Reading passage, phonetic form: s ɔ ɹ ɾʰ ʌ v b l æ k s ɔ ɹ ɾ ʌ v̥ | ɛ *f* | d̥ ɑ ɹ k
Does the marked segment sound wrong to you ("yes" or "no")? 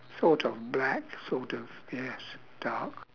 yes